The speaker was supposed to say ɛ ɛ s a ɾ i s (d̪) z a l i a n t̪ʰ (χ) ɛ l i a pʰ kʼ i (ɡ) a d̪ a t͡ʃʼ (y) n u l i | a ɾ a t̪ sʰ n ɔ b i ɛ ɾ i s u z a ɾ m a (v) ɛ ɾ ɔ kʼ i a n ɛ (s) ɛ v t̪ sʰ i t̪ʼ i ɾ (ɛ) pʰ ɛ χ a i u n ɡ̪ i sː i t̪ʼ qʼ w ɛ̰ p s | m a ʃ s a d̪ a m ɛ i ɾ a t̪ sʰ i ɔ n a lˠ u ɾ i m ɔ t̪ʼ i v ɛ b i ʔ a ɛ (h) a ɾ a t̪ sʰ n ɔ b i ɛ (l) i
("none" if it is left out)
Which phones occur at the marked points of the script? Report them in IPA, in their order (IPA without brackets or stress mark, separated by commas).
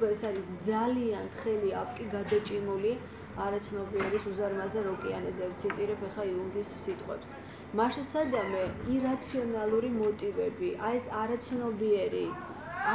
d̪, χ, ɡ, i, z, z, ɛ, s, ɾ